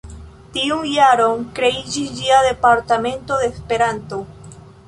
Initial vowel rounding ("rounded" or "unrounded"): unrounded